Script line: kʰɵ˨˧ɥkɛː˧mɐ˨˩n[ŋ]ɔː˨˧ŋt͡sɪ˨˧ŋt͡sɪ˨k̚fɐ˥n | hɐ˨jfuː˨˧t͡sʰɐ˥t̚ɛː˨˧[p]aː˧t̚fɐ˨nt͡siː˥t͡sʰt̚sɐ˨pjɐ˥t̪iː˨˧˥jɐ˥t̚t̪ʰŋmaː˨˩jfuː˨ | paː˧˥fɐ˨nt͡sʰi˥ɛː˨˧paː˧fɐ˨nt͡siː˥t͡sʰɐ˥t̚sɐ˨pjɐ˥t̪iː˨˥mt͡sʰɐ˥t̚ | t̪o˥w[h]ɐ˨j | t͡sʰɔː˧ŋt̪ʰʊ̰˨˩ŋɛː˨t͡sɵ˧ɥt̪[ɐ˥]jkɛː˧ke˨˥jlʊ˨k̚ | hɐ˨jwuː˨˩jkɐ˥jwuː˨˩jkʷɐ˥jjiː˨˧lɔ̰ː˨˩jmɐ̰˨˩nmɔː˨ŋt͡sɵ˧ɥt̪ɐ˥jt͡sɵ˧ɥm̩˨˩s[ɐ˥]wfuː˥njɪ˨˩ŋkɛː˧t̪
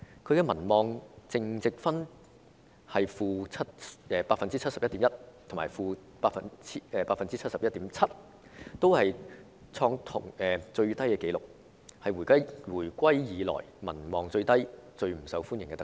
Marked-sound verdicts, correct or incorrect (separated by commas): incorrect, correct, correct, correct, incorrect